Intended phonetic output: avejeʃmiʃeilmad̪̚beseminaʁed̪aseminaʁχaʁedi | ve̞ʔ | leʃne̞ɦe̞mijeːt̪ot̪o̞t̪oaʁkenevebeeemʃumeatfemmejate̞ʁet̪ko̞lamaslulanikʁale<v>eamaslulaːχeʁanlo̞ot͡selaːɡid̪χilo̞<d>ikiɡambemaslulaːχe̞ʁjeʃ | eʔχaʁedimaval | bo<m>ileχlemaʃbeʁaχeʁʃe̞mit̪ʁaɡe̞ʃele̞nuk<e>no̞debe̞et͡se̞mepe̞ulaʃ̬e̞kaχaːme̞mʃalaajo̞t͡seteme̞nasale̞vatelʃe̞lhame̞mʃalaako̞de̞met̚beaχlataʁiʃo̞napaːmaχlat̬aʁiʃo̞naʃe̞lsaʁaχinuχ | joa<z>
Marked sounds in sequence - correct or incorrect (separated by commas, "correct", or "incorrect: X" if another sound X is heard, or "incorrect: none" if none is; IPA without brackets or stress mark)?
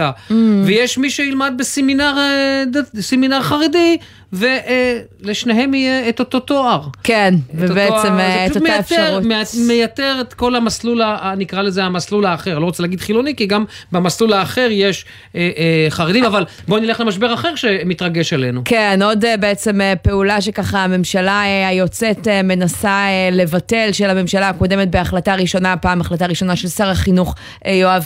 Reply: incorrect: z, incorrect: n, incorrect: n, correct, incorrect: v